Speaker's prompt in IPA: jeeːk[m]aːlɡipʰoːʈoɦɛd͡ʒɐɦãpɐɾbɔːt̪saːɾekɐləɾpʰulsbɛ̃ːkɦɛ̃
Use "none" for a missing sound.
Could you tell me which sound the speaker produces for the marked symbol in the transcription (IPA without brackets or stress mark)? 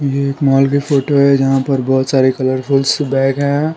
m